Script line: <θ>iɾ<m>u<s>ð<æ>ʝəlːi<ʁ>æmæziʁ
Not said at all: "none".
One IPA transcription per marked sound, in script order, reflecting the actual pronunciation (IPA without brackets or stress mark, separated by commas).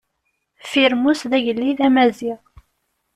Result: f, m, s, æ, ð